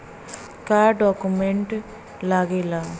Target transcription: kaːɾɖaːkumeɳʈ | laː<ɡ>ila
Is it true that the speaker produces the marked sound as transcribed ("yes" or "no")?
yes